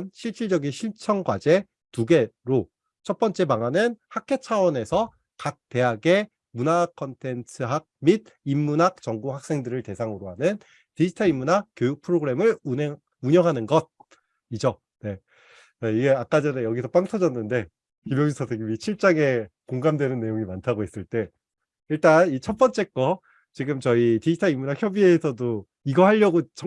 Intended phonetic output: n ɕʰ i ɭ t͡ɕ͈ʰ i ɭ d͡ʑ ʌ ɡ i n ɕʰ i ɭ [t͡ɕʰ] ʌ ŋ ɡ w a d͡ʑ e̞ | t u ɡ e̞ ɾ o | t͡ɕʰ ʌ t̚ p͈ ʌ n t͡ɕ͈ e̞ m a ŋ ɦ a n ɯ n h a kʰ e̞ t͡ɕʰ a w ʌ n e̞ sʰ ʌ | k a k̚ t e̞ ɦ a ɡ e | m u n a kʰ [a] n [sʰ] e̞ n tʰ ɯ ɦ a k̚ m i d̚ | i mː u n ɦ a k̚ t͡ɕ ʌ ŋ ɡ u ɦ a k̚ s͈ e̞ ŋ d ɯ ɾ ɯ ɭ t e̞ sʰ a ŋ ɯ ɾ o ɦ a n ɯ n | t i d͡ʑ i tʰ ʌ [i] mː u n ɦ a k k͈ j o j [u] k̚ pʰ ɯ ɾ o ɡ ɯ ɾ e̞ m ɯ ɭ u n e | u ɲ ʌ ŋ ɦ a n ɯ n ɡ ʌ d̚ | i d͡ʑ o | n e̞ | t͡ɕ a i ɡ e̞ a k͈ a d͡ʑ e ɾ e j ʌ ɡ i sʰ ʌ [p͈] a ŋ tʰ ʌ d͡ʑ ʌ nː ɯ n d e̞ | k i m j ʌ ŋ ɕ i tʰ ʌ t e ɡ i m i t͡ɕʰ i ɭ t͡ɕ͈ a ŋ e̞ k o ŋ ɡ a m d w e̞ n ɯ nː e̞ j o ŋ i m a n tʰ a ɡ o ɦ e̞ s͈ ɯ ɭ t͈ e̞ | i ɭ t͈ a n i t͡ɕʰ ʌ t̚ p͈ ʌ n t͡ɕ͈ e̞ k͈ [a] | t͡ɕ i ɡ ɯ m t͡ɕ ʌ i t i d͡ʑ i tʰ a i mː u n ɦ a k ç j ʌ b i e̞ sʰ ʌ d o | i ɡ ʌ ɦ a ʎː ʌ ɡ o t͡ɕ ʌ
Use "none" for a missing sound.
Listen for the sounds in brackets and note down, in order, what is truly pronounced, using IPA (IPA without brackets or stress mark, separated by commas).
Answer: t͡ɕʰ, ʌ, tʰ, i, u, p͈, ʌ